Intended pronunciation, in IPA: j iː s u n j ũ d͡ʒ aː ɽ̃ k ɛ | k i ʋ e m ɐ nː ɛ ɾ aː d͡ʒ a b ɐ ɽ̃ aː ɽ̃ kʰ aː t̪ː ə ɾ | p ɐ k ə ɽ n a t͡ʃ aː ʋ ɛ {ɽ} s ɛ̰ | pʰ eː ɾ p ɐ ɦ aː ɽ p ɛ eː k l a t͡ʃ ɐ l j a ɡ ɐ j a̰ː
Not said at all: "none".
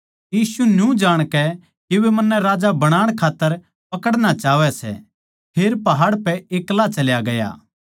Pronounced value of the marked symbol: none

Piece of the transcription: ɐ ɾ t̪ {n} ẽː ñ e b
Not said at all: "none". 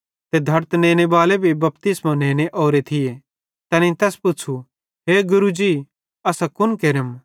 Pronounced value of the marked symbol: n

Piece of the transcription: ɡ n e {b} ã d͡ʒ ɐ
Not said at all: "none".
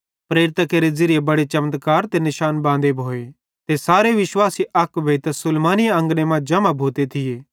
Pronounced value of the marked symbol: m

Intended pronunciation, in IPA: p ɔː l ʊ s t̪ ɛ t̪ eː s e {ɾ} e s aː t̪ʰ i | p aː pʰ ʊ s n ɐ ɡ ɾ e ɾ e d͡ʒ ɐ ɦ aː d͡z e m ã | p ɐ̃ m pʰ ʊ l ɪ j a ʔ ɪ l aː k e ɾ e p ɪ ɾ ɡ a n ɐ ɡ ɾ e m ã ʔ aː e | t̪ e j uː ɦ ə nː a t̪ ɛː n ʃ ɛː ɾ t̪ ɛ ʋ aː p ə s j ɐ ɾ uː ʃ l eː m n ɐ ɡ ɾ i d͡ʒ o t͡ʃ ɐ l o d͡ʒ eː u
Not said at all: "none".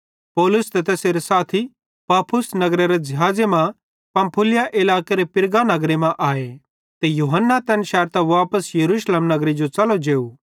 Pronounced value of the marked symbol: ɾ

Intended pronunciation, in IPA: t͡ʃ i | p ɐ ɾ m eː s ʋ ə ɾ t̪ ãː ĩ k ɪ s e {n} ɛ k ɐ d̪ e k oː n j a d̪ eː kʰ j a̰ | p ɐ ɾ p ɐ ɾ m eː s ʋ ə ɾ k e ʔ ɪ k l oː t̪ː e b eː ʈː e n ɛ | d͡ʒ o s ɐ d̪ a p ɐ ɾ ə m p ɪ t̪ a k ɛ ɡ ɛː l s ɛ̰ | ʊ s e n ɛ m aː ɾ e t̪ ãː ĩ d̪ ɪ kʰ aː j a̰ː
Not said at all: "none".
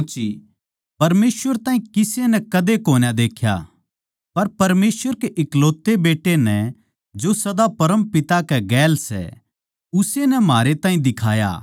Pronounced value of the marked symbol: n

